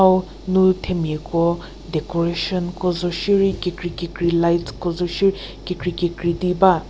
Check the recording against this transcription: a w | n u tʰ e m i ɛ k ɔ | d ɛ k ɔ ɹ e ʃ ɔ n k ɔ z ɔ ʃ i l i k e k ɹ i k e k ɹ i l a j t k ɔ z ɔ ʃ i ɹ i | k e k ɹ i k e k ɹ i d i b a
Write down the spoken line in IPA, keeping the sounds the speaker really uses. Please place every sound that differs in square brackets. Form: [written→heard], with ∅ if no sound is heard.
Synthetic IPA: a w | n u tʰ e m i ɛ k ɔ | d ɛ k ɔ ɹ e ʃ ɔ n k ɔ z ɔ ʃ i [l→ɹ] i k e k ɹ i k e k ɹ i l a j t k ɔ z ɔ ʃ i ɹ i | k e k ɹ i k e k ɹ i d i b a